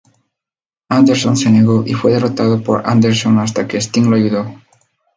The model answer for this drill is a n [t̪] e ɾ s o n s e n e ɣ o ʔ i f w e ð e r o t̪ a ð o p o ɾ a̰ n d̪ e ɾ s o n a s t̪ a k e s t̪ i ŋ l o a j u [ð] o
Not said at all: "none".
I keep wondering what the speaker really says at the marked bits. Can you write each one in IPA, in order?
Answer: d̪, ð

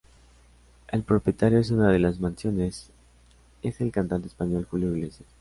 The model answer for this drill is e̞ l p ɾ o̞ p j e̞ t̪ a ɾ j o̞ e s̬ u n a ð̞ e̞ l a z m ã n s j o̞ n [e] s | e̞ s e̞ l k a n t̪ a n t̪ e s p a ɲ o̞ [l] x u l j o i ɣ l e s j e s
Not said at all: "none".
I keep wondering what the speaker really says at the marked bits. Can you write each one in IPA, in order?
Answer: e, l

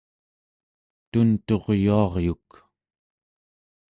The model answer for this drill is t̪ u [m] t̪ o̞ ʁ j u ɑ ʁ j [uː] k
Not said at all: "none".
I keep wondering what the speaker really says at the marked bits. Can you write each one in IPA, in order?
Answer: n, u

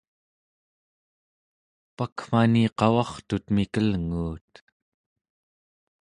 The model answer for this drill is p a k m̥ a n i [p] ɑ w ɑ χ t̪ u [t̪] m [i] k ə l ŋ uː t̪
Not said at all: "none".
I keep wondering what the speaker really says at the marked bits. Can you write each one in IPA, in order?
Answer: q, t̪, i

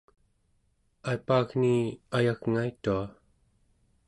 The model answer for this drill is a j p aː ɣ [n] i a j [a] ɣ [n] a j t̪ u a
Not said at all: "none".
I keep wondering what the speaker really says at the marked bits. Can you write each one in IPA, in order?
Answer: n, a, ŋ

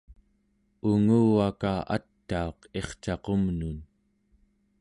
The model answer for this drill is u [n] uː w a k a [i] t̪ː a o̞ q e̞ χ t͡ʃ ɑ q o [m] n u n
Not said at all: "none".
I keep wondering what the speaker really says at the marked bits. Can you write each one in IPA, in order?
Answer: ŋ, a, m

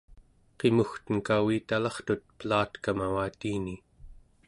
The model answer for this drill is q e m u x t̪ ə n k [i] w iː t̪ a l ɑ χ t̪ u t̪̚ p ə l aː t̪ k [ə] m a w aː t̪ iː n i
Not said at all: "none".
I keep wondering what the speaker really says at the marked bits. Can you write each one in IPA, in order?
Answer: a, a

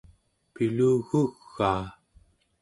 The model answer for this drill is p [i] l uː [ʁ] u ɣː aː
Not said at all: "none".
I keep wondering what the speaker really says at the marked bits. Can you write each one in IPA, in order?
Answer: i, ɣ

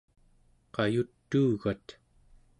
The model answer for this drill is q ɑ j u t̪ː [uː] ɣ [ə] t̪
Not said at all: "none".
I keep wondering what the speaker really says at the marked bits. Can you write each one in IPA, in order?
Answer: uː, a

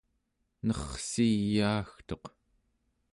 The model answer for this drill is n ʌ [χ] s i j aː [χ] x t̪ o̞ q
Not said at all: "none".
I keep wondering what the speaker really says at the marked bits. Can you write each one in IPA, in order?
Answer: χ, none

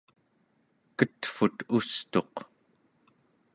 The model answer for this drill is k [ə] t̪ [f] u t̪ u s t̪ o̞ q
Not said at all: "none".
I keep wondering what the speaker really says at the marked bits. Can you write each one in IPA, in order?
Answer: ə, f

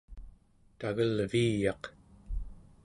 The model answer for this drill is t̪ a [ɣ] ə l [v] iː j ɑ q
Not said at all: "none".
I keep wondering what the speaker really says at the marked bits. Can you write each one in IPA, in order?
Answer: ɣ, v

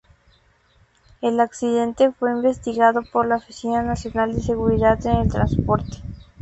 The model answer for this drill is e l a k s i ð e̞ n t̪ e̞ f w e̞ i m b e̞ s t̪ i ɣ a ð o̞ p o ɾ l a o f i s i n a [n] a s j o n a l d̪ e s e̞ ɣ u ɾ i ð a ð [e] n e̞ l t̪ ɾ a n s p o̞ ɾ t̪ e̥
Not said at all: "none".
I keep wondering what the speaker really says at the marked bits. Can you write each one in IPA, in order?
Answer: n, e

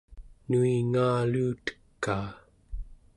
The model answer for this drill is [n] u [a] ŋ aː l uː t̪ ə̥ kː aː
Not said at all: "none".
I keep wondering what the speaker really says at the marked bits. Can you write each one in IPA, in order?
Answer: n, i

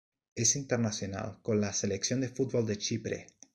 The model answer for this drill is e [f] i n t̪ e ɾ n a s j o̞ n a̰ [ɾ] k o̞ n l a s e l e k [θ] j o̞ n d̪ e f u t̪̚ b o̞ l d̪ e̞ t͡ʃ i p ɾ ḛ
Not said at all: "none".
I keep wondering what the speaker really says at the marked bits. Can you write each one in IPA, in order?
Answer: s, l, s

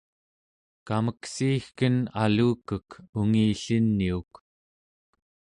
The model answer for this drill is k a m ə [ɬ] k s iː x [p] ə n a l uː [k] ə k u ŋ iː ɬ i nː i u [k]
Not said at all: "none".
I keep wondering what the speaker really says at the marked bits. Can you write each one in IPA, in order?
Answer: none, k, k, k

